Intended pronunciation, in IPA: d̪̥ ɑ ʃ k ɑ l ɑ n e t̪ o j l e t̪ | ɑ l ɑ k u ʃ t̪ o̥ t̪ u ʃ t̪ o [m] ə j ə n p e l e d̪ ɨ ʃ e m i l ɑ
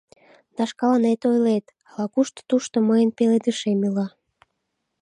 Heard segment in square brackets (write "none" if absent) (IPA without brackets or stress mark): m